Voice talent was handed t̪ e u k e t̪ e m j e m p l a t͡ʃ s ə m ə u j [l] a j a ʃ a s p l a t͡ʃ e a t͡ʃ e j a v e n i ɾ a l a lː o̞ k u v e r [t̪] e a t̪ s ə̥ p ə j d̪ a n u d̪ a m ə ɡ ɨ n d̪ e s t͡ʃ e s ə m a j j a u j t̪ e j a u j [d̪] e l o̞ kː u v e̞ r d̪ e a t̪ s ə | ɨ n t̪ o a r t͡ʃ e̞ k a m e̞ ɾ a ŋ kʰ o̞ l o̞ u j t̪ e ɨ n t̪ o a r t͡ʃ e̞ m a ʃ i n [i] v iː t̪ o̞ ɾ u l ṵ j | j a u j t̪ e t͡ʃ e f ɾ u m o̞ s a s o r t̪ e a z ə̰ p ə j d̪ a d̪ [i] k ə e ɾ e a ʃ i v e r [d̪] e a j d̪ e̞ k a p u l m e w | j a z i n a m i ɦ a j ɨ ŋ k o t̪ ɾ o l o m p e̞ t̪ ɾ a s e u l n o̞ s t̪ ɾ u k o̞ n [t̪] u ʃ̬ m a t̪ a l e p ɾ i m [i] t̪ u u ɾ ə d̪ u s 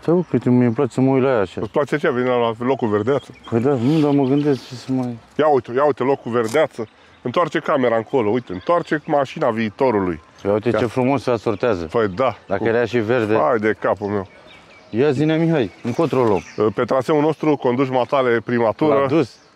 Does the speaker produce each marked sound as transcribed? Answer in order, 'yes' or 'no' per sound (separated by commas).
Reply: yes, no, no, no, no, yes, no, no